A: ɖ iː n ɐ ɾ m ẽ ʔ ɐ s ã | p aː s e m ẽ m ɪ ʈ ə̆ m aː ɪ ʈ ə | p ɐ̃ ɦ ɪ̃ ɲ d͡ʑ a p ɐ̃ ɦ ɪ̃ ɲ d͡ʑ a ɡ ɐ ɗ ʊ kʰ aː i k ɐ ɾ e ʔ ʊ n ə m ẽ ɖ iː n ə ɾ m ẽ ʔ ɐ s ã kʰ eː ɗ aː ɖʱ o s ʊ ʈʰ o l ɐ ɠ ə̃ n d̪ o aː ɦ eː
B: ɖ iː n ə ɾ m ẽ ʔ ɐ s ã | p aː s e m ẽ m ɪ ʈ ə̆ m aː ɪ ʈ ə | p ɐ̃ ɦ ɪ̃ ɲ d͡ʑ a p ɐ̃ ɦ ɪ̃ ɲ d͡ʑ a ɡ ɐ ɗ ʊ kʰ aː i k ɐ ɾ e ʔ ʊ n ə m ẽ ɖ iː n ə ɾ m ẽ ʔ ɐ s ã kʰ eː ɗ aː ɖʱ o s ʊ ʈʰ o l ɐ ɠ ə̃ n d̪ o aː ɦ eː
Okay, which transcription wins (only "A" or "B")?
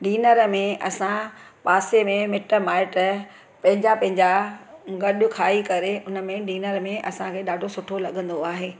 B